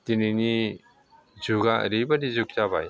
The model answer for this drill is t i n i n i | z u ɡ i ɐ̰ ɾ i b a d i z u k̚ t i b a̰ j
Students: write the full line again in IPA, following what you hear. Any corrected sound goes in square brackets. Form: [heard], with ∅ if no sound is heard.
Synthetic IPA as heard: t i n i n i | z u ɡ [a] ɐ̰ ɾ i b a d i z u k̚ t [a] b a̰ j